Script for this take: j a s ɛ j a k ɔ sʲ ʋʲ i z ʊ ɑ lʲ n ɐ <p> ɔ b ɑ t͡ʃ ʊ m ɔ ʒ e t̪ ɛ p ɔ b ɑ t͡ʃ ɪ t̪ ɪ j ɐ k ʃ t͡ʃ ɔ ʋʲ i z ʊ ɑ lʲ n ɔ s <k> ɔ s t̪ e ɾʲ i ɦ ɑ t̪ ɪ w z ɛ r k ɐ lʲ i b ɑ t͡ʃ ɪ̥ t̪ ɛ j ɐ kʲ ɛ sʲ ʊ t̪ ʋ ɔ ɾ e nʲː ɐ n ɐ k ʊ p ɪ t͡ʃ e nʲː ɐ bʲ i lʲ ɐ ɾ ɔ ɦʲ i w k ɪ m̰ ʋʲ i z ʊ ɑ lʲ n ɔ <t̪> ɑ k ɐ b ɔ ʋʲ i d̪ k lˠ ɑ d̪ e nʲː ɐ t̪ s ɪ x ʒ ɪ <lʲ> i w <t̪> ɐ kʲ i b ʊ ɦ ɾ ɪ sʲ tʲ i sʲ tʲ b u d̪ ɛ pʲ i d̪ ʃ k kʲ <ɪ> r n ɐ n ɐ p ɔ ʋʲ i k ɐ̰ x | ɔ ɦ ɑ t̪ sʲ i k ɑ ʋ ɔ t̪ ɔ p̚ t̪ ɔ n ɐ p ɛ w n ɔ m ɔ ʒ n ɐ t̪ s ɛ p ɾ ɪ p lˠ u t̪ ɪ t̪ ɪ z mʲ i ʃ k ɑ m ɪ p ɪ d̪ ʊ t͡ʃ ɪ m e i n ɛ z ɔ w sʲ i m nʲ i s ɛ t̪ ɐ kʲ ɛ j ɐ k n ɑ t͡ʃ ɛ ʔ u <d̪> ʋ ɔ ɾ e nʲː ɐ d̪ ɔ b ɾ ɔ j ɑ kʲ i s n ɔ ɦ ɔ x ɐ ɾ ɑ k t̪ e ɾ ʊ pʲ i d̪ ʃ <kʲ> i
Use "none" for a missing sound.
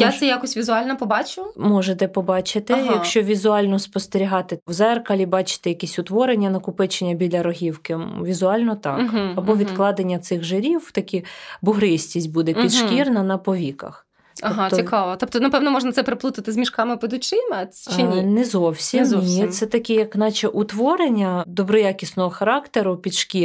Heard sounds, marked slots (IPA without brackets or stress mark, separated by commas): p, p, t̪, ɾʲ, t̪, i, t̪, kʲ